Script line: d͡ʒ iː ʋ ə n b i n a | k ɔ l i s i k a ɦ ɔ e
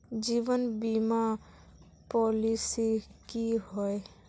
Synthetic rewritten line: d͡ʒ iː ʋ ə n b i m a | p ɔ l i s i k i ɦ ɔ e